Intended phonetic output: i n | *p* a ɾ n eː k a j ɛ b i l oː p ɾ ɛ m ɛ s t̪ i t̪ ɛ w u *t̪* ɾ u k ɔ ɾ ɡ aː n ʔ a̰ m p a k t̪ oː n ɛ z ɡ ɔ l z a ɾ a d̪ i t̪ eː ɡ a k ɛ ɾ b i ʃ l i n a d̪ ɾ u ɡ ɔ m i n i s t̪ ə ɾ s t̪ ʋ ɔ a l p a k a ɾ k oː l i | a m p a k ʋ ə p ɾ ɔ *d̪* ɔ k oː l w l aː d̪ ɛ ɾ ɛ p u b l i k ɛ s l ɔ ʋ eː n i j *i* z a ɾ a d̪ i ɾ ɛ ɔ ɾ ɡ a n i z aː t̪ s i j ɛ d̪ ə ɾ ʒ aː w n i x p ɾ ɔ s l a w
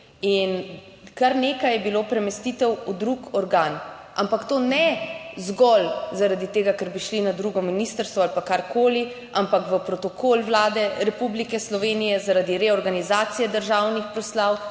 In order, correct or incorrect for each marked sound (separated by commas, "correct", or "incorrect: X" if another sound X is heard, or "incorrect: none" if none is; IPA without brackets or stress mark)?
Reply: incorrect: k, incorrect: d̪, incorrect: t̪, incorrect: ɛ